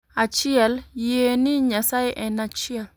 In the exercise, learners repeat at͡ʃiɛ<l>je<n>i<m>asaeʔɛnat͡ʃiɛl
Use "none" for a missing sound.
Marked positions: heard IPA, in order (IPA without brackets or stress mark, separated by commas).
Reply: l, n, ɲ